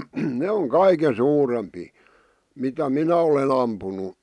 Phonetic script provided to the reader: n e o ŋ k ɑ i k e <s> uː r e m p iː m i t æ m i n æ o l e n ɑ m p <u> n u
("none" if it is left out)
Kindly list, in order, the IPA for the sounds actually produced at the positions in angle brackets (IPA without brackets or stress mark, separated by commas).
s, u